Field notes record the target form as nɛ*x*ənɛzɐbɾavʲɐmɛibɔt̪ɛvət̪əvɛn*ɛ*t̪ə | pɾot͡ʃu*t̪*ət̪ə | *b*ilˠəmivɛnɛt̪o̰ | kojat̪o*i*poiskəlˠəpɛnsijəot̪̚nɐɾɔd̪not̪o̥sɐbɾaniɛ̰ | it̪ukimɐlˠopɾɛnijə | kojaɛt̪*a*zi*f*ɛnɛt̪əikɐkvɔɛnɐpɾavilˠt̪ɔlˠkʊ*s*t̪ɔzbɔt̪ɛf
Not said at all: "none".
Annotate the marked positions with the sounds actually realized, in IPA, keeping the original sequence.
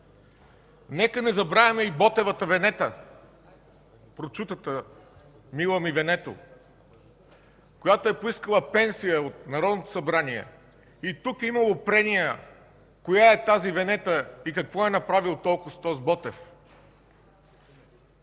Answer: k, ɛ, t̪, m, ɛ, a, v, s

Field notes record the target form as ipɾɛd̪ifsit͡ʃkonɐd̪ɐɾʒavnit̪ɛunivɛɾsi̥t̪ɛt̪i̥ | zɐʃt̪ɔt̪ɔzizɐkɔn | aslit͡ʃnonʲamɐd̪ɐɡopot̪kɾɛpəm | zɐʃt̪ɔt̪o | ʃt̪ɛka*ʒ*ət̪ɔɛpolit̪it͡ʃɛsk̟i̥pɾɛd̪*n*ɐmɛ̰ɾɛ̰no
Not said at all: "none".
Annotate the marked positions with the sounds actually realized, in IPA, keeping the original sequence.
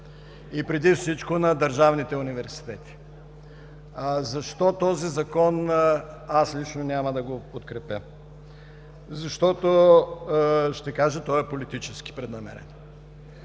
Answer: ʒ, n

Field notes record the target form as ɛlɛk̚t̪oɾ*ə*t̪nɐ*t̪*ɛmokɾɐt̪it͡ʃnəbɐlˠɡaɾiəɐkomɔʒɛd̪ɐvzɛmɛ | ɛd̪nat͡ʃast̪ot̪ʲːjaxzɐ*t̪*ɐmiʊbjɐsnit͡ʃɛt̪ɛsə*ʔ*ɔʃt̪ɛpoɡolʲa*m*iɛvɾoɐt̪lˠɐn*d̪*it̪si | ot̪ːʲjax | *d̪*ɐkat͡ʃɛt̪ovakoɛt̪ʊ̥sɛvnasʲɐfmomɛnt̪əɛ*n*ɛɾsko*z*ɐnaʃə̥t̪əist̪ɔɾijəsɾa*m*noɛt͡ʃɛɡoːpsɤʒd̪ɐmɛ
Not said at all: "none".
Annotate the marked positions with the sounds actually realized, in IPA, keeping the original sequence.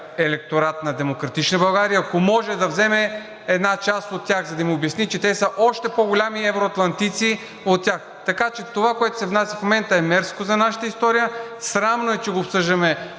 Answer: a, d̪, d̪, ʔ, m, t̪, t̪, m, z, m

